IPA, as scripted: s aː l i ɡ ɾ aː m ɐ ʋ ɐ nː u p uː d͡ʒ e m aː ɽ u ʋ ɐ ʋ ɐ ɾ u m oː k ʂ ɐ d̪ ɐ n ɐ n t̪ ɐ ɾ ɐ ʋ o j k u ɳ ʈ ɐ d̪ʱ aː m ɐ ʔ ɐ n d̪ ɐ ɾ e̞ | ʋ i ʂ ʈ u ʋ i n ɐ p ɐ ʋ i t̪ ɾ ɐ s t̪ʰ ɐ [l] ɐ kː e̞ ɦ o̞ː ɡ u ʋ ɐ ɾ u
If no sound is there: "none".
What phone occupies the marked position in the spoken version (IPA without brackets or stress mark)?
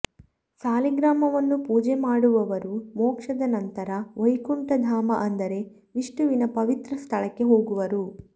ɭ